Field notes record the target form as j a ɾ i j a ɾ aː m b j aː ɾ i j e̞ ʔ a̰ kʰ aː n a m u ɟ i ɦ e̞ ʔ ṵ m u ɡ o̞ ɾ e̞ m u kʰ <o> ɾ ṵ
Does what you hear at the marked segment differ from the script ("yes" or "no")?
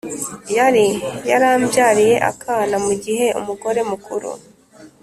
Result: yes